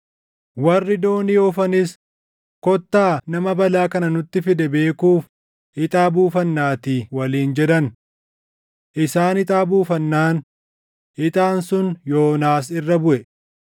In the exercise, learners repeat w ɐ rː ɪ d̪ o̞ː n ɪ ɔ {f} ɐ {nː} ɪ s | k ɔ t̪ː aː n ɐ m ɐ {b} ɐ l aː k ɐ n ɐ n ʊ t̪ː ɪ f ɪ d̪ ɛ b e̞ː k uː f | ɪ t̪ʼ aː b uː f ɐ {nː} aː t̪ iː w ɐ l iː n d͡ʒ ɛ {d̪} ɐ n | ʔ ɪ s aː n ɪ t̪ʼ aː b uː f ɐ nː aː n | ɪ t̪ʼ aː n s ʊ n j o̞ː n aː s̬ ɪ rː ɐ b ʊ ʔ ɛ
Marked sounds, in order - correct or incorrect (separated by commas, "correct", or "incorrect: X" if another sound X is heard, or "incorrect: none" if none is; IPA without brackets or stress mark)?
correct, incorrect: n, correct, correct, correct